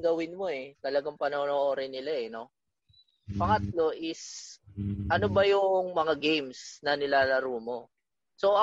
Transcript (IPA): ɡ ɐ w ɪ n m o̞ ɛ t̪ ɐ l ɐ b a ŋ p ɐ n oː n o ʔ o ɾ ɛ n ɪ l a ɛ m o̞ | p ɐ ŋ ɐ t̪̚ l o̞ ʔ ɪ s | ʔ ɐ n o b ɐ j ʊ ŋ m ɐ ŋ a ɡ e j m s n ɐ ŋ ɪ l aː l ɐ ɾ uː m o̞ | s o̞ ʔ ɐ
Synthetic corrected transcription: ɡ ɐ w ɪ n m o̞ ɛ t̪ ɐ l ɐ ɡ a ŋ p ɐ n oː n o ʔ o ɾ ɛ n ɪ l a ɛ n o̞ | p ɐ ŋ ɐ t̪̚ l o̞ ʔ ɪ s | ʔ ɐ n o b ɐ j ʊ ŋ m ɐ ŋ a ɡ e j m s n ɐ n ɪ l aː l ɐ ɾ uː m o̞ | s o̞ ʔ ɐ